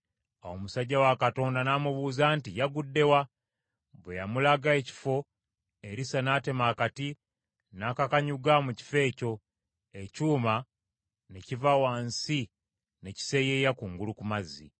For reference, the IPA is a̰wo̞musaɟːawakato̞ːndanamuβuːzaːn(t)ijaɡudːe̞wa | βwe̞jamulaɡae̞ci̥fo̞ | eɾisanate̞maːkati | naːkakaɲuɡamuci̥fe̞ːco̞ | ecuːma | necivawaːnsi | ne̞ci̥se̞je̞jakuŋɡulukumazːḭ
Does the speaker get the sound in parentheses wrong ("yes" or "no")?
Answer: no